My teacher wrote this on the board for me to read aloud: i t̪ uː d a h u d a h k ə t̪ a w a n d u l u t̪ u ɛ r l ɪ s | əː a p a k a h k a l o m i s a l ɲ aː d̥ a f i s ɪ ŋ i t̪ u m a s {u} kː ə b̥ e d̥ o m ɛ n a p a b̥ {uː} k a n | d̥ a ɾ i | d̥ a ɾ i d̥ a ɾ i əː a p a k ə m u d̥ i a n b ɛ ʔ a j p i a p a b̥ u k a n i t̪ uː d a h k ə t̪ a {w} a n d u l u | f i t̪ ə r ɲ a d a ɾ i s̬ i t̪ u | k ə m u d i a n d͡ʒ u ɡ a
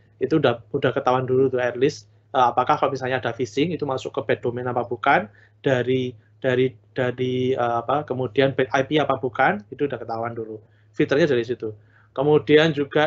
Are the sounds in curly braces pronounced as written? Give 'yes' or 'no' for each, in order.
no, no, yes

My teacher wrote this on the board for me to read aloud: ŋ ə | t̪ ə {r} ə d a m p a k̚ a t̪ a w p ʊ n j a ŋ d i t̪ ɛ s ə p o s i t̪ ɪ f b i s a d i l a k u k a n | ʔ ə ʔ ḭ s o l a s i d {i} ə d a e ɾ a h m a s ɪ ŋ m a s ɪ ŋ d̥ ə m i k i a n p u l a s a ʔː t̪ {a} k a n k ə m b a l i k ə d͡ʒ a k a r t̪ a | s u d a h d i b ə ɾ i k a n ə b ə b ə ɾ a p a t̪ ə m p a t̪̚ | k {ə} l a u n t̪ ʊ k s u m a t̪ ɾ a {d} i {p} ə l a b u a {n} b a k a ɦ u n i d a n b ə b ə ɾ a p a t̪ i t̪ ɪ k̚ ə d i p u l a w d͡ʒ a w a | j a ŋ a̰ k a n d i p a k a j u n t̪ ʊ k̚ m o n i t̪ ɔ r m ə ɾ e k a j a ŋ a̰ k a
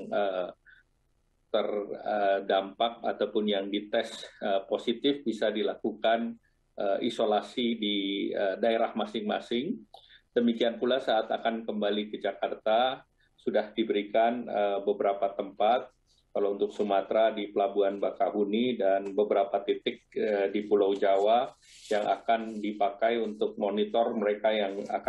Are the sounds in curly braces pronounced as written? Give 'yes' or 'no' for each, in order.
yes, yes, yes, no, yes, yes, yes

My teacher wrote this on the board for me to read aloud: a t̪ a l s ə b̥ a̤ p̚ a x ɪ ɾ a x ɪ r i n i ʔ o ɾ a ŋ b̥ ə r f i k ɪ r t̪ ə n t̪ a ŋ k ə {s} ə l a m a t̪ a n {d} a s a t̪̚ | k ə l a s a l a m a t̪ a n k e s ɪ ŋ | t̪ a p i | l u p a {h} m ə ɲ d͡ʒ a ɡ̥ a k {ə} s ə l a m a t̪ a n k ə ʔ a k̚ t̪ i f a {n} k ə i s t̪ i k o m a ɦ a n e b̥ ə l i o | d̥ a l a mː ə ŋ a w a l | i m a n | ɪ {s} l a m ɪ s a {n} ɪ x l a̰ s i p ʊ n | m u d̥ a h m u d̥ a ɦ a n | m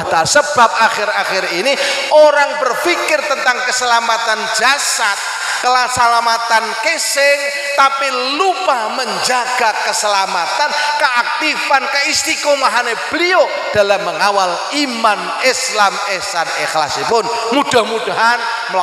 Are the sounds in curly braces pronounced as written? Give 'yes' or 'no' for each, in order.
yes, no, yes, yes, yes, yes, yes

